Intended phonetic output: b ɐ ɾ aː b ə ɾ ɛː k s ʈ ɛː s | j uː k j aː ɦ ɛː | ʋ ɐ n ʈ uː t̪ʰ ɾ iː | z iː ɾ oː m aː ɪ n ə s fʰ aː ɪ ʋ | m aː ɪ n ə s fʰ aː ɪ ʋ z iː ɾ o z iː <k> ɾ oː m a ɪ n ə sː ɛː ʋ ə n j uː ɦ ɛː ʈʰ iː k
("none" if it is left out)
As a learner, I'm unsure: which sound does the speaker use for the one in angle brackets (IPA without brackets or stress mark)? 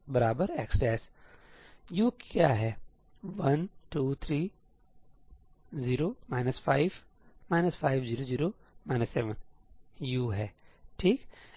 none